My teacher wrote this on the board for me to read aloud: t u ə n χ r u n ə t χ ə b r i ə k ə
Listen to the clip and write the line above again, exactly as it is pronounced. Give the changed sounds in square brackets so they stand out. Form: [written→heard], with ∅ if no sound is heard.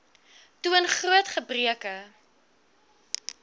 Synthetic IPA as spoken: t u ə n χ r u [n→∅] ə t χ ə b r i ə k ə